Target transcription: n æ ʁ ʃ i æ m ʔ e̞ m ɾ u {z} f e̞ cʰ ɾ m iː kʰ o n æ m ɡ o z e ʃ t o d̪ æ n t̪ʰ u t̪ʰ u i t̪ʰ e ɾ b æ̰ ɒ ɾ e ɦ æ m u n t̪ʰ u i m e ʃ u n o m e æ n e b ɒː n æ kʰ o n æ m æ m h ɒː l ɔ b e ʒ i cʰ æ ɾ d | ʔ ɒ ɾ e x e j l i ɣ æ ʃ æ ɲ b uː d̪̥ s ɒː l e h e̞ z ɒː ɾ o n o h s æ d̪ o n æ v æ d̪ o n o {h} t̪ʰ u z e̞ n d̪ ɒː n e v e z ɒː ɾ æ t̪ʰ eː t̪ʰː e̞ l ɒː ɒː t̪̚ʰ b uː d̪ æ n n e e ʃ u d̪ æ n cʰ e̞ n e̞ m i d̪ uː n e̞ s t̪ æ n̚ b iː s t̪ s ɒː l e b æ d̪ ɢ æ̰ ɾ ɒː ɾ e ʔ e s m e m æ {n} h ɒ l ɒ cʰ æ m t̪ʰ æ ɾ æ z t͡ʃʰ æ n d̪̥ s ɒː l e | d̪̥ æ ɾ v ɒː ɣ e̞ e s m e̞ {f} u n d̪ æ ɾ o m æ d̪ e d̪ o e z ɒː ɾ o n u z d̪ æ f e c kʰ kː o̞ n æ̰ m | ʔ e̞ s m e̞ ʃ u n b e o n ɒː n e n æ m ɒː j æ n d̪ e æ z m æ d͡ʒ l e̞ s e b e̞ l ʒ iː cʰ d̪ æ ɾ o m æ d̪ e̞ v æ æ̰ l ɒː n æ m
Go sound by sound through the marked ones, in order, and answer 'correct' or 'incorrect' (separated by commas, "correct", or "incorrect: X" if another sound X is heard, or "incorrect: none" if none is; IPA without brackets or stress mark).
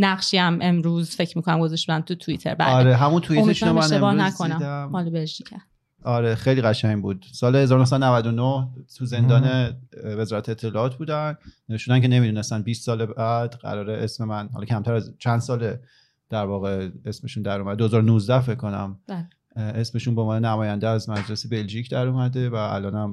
correct, correct, correct, incorrect: ʃ